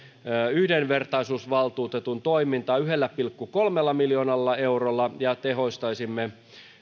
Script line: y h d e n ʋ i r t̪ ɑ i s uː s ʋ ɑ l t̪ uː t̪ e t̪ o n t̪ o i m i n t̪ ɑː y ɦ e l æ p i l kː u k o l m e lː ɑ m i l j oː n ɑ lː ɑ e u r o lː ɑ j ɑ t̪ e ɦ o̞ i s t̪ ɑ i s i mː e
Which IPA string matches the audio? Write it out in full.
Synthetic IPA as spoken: y h d e n ʋ e r t̪ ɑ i s uː s ʋ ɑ l t̪ uː t̪ e t̪ u n t̪ o i m i n t̪ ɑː y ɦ e lː æ p i l kː u k o l m e lː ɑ m i l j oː n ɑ lː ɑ e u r o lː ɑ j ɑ t̪ e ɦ o̞ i s t̪ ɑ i s i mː e